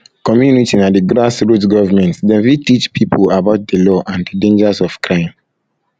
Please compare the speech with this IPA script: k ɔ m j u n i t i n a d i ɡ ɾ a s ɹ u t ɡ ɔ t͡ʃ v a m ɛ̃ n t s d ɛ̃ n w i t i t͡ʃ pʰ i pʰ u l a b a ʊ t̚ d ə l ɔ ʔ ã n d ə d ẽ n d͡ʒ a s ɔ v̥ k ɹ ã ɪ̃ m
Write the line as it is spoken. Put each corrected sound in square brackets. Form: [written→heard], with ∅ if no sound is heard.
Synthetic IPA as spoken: k ɔ m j u n i t i n a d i ɡ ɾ a s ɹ u t ɡ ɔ [t͡ʃ→∅] v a m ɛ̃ n t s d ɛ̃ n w i t i t͡ʃ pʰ i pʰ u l a b a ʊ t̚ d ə l ɔ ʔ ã n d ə d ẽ n d͡ʒ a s ɔ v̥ k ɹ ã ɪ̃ m